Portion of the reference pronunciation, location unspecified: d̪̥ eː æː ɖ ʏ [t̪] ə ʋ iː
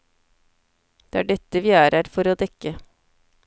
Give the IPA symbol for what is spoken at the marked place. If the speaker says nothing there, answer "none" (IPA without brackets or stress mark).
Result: t̪